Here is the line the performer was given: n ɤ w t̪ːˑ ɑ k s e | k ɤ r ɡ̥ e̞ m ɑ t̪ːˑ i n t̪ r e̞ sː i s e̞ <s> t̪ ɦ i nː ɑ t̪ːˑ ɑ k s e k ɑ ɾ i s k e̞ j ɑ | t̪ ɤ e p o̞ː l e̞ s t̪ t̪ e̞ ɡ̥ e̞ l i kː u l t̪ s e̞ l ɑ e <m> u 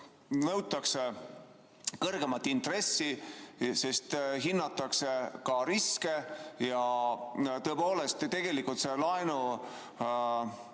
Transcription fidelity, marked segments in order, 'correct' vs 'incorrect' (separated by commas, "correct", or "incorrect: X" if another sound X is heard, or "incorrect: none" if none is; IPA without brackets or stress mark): correct, incorrect: n